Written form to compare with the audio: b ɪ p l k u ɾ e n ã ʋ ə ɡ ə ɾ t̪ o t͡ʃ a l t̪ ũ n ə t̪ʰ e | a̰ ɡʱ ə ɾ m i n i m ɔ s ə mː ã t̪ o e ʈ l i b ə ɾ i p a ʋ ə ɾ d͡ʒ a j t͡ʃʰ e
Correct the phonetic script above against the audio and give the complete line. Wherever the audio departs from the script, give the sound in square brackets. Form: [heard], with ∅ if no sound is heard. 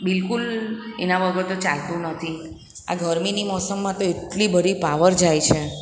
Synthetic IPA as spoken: b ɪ [∅] l k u [l] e n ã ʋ ə ɡ ə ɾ t̪ o t͡ʃ a l t̪ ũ n ə t̪ʰ [i] | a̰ ɡʱ ə ɾ m i n i m ɔ s ə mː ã t̪ o e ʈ l i b ə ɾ i p a ʋ ə ɾ d͡ʒ a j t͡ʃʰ e